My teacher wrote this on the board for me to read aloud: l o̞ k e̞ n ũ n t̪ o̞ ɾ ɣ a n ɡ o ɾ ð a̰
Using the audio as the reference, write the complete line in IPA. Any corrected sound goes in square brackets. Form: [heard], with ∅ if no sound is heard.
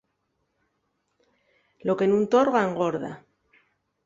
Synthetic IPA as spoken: l o̞ k e̞ n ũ n t̪ o̞ ɾ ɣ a [ŋ] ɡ o ɾ ð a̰